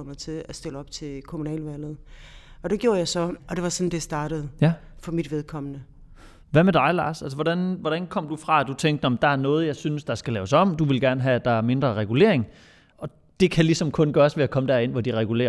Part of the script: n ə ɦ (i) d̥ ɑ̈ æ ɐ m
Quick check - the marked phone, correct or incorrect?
incorrect